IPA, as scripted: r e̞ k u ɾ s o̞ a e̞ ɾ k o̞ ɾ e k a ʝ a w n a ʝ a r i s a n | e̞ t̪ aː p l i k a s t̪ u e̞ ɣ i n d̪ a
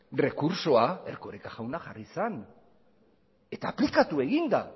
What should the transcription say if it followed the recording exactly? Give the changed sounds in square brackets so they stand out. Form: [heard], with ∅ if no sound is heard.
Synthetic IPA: r e̞ k u ɾ s o̞ a e̞ ɾ k o̞ ɾ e k a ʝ a w n a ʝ a r i s a n | e̞ t̪ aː p l i k a [∅] t̪ u e̞ ɣ i n d̪ a